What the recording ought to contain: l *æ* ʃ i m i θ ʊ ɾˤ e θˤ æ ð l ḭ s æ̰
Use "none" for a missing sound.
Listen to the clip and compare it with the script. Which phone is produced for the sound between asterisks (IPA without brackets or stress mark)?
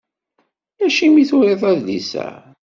æ